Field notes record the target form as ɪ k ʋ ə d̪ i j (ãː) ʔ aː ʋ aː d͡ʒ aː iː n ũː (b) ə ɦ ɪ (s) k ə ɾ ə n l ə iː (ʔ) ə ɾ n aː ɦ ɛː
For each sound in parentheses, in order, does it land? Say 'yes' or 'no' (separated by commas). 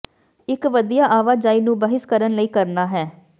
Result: no, yes, yes, no